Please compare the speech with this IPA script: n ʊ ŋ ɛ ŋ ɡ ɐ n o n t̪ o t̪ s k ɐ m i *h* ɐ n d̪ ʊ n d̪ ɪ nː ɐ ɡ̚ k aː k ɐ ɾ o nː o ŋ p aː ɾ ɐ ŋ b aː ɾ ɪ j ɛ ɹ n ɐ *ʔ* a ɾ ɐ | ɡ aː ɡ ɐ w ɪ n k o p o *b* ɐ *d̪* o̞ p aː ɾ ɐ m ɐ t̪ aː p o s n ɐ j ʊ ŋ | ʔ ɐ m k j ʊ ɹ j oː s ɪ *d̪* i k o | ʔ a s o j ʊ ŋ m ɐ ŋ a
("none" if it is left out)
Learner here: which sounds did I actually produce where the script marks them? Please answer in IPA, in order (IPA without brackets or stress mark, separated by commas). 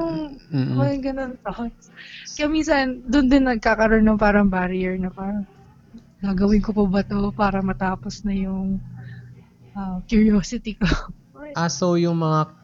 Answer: s, p, b, t̪, t̪